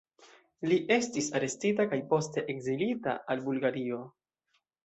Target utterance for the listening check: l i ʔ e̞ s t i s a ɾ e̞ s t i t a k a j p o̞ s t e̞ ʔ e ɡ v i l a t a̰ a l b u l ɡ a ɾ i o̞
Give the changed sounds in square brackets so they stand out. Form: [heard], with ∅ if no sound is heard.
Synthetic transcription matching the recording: l i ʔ e̞ s t i s a ɾ e̞ s t i t a k a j p o̞ s t e̞ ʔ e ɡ [z] i l [i] t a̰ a l b u l ɡ a ɾ i o̞

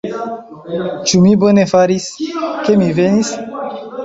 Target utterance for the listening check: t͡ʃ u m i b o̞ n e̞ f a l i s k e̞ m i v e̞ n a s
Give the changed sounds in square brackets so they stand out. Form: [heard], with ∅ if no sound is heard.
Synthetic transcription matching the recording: t͡ʃ u m i b o̞ n e̞ f a [ɾ] i s k e̞ m i v e̞ n [i] s

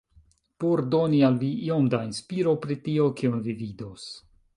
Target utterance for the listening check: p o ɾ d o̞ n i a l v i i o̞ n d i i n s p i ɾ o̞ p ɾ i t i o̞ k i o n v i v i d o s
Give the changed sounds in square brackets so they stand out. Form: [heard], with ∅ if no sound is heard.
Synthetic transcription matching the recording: p o ɾ d o̞ n i a l v i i o̞ [m] d [a] i n s p i ɾ o̞ p ɾ i t i o̞ k i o n v i v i d o s

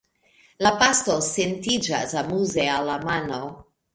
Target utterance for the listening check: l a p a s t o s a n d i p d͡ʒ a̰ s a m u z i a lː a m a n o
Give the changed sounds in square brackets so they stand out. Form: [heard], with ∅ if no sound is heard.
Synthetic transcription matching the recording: l a p a s t o s [e] n [t] i [∅] d͡ʒ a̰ s a m u z [e] a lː a m a n o

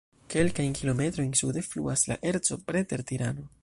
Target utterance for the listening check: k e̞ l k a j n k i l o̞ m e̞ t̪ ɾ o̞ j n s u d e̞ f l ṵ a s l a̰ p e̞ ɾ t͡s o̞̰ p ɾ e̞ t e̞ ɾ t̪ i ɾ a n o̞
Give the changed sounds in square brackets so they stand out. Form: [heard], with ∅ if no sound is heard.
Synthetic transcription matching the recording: k e̞ l k a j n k i l o̞ m e̞ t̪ ɾ o̞ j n s u d e̞ f l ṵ a s l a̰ [ʔ] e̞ ɾ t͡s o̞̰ p ɾ e̞ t e̞ ɾ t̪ i ɾ a n o̞

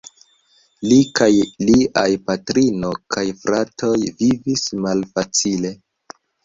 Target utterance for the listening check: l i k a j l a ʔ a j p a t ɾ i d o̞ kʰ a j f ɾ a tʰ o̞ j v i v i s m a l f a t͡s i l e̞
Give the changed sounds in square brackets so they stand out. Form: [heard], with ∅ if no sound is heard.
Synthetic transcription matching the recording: l i k a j l [i] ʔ a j p a t ɾ i [n] o̞ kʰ a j f ɾ a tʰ o̞ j v i v i s m a l f a t͡s i l e̞

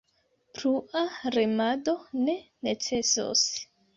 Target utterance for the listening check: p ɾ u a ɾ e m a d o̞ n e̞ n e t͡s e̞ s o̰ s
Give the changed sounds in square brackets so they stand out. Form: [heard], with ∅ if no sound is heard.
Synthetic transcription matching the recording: p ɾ u a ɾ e m a d o̞ n e̞ n e t͡s e̞ s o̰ s

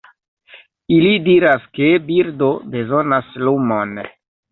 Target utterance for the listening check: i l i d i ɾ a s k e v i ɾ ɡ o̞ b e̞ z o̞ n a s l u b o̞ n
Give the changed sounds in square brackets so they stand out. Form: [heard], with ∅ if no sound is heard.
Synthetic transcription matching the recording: i l i d i ɾ a s k e [b] i ɾ [d] o̞ b e̞ z o̞ n a s l u [m] o̞ n

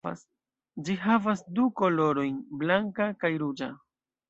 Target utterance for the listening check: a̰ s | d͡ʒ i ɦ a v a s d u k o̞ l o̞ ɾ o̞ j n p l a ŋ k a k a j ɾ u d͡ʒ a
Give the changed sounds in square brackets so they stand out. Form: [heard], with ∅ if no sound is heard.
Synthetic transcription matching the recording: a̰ s | d͡ʒ i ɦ a v a s d u k o̞ l o̞ ɾ o̞ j n [b] l a ŋ k a k a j ɾ u d͡ʒ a

